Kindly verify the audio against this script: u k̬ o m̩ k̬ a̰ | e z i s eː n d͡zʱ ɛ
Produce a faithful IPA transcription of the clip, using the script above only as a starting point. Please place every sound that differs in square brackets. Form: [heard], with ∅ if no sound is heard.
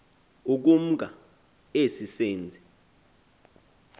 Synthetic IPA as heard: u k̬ [u] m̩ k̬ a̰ | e [s] i s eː n d͡zʱ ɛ